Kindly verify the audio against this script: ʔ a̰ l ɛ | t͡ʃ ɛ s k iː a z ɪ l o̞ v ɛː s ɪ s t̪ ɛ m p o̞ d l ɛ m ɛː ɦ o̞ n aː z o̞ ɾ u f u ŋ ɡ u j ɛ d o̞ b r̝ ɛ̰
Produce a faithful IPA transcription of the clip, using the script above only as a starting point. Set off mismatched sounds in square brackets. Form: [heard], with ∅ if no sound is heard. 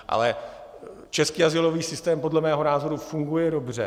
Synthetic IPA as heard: ʔ a̰ l ɛ | t͡ʃ ɛ s k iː a z ɪ l o̞ v [iː] s ɪ s t̪ [ɛː] m p o̞ d l ɛ m ɛː ɦ o̞ n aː z o̞ ɾ u f u ŋ ɡ u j ɛ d o̞ b r̝ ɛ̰